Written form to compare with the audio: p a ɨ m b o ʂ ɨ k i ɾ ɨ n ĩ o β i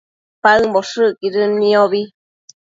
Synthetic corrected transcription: p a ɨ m b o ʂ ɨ k i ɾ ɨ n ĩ o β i